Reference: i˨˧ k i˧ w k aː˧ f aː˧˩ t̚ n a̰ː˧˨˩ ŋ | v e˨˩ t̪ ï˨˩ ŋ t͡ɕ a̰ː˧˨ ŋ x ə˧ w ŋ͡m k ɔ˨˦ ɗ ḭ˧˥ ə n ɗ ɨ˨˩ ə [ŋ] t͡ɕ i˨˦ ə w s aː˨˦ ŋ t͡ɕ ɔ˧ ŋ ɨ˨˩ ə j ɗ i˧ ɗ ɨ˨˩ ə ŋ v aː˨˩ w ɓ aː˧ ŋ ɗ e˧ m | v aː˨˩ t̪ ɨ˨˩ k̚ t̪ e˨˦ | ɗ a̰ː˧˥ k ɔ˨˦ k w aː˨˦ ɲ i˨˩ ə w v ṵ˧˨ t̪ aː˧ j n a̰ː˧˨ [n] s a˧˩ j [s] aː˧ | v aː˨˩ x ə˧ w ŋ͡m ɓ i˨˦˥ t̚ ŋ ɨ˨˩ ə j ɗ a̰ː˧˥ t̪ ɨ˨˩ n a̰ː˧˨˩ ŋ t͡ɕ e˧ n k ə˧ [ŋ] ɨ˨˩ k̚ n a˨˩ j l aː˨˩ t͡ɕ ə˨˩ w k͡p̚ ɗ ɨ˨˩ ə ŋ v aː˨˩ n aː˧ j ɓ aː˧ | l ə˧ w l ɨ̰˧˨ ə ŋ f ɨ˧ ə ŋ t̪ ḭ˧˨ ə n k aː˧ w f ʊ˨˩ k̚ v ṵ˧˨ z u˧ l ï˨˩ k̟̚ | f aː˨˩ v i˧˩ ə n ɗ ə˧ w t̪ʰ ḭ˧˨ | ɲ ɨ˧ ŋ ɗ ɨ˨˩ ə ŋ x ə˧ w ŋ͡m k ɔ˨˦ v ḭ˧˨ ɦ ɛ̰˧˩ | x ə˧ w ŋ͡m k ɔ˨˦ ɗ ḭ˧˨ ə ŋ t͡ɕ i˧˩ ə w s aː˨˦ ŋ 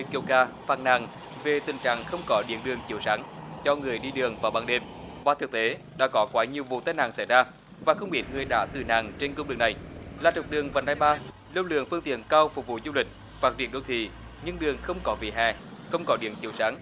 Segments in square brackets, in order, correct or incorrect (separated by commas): correct, incorrect, incorrect, incorrect